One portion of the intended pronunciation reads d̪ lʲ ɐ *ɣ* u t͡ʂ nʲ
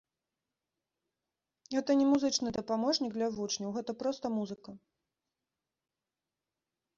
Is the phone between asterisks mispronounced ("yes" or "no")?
yes